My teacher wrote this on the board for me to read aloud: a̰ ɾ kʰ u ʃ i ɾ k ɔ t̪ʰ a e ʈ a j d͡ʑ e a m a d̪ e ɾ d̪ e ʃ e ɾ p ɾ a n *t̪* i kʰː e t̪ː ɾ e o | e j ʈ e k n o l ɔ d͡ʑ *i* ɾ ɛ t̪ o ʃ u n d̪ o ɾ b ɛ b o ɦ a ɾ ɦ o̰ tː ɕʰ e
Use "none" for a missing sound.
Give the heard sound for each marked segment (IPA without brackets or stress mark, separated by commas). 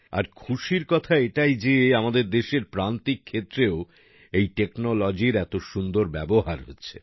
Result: t̪, i